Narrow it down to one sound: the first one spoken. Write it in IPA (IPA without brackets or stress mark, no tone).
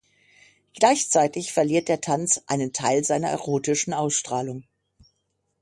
ɡ̥